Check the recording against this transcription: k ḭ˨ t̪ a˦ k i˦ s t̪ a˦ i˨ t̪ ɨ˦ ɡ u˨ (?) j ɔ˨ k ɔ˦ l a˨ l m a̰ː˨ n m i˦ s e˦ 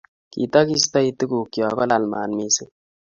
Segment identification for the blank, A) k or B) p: A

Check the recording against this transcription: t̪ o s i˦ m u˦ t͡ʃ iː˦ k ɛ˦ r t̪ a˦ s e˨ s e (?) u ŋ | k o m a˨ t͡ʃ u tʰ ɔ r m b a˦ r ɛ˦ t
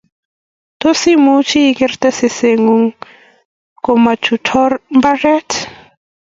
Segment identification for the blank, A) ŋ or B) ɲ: A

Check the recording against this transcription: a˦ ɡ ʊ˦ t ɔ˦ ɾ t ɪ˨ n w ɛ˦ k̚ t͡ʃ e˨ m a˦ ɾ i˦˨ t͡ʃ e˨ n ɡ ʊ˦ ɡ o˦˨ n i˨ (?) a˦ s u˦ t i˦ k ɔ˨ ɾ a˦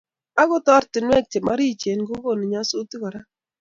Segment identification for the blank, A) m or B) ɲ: B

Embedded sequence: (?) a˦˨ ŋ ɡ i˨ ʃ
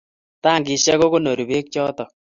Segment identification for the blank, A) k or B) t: B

